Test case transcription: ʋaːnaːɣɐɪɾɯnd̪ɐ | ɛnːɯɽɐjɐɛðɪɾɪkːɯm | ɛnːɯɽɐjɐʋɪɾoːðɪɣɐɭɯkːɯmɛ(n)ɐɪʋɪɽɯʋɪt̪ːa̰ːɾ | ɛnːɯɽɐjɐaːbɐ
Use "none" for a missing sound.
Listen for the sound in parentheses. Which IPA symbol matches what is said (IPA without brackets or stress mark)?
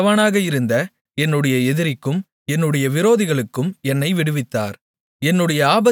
nː